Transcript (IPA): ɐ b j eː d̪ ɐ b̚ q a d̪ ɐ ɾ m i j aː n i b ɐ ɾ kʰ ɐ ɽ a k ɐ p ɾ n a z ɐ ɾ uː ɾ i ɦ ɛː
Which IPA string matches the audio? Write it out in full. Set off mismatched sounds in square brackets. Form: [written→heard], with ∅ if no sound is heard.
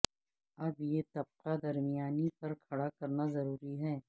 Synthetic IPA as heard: ɐ b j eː [d̪→t̪] ɐ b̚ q a d̪ ɐ ɾ m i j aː n i [b→p] ɐ ɾ kʰ ɐ ɽ a k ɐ [p→∅] ɾ n a z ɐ ɾ uː ɾ i ɦ ɛː